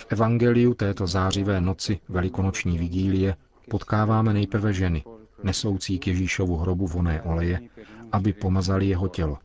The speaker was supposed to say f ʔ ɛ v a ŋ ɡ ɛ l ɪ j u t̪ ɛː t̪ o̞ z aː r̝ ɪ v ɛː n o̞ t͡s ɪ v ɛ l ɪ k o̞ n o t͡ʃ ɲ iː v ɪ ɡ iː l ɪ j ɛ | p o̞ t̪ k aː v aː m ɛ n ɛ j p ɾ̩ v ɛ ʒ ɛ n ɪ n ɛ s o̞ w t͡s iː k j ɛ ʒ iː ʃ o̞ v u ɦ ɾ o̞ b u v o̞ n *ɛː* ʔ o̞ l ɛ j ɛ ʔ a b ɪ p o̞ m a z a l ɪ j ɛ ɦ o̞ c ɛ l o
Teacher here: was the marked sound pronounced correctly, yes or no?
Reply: yes